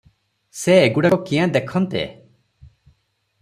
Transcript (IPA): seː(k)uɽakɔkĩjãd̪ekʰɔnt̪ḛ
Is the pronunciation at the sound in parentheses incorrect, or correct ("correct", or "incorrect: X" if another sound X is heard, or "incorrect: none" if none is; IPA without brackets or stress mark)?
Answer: incorrect: ɡ